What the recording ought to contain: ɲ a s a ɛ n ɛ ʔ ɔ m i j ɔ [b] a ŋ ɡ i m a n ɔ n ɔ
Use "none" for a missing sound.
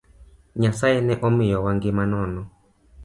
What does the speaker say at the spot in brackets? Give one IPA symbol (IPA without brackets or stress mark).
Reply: w